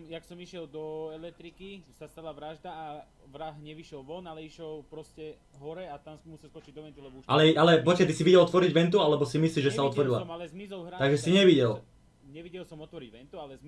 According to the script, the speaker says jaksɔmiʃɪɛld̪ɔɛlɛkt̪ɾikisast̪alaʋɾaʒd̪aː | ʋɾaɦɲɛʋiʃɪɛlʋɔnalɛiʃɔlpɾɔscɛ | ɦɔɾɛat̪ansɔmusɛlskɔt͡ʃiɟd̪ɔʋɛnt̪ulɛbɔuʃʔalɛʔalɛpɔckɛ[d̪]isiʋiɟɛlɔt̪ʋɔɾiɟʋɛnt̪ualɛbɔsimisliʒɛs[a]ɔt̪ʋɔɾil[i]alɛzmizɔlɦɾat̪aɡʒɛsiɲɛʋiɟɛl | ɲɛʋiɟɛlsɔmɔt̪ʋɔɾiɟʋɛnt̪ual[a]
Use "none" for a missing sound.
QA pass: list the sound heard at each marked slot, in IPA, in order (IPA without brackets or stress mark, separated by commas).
t̪, a, a, ɛ